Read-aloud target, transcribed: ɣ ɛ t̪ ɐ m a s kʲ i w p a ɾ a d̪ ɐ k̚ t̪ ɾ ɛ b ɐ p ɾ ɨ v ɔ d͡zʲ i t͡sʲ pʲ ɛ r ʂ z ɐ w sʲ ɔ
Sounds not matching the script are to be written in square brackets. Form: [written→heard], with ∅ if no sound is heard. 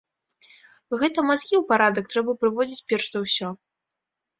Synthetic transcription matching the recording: ɣ ɛ t̪ ɐ m a s kʲ i w p a ɾ a d̪ ɐ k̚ t̪ ɾ ɛ b ɐ p ɾ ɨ v ɔ d͡zʲ i t͡sʲ pʲ ɛ r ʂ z ɐ w sʲ ɔ